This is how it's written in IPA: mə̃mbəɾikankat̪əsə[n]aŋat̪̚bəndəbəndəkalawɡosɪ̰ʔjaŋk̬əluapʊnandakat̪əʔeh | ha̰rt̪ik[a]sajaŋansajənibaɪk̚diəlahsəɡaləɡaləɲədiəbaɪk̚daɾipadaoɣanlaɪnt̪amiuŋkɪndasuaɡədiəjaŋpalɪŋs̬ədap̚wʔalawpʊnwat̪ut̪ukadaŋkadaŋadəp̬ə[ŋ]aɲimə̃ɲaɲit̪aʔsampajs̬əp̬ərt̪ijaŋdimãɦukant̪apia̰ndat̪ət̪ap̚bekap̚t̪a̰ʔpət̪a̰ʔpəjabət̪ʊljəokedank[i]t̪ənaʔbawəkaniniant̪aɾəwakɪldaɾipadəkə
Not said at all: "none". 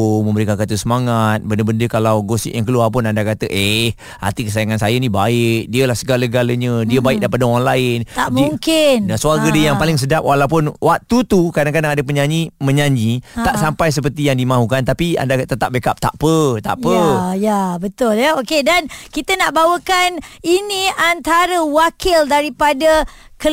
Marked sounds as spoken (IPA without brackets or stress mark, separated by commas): m, ə, ɲ, i